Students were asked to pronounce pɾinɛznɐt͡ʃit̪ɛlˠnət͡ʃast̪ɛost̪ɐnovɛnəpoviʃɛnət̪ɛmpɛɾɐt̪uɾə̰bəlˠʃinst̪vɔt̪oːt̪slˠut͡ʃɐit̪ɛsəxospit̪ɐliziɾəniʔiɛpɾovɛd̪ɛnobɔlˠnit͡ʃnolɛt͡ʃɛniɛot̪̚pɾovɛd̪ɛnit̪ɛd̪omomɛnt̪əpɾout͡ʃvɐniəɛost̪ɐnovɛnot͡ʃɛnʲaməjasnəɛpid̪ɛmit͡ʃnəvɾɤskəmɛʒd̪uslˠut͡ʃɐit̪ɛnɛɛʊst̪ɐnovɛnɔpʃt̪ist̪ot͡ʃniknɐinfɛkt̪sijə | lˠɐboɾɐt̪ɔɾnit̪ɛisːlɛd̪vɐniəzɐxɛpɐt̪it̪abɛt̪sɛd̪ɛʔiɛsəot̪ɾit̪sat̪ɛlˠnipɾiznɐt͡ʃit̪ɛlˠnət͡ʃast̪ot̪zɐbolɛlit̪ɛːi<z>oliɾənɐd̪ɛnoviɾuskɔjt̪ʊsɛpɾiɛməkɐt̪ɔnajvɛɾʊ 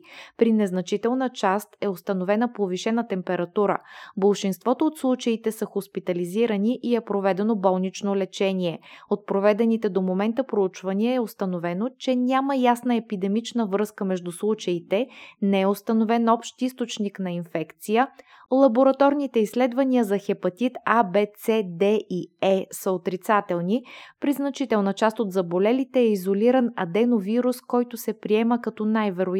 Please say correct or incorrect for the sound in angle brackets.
correct